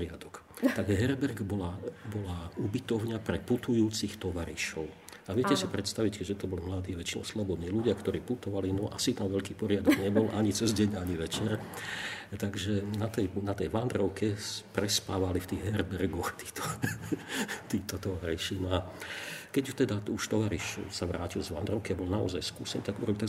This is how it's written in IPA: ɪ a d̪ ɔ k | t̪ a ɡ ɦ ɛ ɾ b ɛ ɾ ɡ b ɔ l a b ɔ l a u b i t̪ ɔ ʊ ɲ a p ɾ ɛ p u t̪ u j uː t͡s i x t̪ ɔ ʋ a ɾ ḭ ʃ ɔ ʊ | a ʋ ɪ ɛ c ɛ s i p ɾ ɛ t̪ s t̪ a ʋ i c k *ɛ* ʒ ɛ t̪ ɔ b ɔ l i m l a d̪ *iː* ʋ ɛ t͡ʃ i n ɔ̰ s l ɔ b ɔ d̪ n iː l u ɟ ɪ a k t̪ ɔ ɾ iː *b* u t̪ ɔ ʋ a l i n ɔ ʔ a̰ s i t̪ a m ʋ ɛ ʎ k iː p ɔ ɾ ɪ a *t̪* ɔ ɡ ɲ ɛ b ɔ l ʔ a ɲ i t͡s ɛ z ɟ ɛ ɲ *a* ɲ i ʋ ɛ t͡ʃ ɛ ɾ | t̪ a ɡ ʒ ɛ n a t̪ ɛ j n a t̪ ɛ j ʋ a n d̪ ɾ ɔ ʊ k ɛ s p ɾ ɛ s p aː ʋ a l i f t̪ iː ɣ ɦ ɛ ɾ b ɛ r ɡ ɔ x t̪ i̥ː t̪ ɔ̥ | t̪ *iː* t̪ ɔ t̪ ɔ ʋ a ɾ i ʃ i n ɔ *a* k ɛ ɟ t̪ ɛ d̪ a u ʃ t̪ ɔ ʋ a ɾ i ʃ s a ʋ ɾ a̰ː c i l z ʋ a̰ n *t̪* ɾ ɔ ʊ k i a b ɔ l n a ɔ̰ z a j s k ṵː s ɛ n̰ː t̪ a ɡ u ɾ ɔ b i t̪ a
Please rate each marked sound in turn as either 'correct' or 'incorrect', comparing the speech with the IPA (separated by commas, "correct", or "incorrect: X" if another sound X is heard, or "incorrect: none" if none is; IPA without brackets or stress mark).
correct, correct, incorrect: p, incorrect: d̪, correct, correct, correct, incorrect: d̪